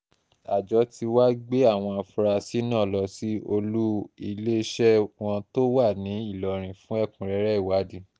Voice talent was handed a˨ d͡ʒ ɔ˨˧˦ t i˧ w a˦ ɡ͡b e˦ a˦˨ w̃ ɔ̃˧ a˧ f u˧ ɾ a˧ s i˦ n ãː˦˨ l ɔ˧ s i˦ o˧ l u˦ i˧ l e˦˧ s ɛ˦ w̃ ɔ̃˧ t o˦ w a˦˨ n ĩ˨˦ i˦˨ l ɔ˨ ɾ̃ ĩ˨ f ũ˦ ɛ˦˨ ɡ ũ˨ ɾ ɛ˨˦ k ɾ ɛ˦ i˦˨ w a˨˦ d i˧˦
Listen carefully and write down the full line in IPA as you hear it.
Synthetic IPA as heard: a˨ d͡ʒ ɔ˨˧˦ t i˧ w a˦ ɡ͡b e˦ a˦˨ w̃ ɔ̃˧ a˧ f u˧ ɾ a˧ s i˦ n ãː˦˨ l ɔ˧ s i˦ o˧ l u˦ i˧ l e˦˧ ʃ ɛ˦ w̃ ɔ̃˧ t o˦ w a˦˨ n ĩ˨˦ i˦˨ l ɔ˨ ɾ̃ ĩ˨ f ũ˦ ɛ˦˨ k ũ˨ ɾ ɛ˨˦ ɾ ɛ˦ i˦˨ w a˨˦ d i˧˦